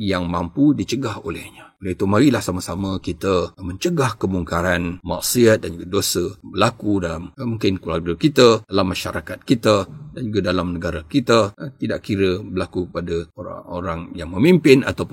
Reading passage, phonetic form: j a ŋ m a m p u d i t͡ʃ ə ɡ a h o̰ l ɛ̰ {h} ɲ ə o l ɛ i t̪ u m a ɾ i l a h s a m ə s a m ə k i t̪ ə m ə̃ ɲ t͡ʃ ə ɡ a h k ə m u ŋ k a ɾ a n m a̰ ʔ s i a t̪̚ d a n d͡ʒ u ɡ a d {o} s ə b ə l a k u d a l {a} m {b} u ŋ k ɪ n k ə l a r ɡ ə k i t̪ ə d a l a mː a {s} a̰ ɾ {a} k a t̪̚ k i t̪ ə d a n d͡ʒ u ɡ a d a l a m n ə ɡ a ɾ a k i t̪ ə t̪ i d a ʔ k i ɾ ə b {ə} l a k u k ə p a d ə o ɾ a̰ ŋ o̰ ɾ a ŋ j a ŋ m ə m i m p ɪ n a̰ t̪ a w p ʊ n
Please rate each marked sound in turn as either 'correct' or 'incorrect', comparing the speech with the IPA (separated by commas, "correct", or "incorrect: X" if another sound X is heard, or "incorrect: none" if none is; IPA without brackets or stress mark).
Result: correct, correct, correct, incorrect: m, incorrect: ʃ, correct, correct